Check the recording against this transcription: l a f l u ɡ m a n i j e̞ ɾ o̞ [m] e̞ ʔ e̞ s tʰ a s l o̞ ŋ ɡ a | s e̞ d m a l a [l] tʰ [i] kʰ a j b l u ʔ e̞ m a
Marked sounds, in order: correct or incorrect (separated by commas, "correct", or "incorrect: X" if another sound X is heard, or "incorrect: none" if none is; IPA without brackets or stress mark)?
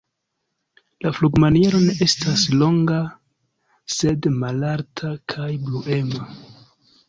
incorrect: n, incorrect: ɾ, incorrect: a